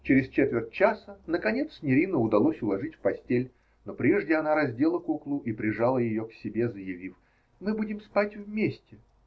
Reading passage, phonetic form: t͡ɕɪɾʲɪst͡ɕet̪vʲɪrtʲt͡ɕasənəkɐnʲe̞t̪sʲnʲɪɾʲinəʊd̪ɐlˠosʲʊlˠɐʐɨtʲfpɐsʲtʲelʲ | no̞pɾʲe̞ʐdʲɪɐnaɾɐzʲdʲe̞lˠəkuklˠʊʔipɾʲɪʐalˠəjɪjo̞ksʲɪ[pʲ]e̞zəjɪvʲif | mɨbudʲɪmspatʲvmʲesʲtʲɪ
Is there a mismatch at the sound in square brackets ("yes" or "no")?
yes